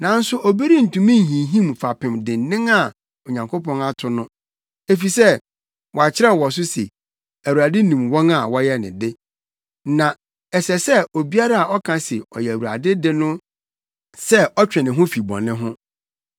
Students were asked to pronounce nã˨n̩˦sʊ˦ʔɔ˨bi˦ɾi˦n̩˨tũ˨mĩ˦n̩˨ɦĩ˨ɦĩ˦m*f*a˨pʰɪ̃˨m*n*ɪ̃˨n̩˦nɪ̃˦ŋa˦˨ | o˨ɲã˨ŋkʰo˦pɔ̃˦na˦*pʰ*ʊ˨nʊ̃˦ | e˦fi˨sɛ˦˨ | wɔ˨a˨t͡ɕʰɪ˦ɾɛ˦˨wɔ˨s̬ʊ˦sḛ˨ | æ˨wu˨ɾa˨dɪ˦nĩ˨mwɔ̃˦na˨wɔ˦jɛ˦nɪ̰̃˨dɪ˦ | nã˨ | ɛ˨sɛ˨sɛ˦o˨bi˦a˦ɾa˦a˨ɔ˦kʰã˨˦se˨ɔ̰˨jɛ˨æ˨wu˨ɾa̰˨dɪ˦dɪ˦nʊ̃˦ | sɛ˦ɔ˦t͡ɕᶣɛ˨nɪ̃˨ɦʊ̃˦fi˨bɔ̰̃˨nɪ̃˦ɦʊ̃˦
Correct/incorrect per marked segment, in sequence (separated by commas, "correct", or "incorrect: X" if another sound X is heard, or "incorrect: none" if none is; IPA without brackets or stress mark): correct, incorrect: d, incorrect: tʰ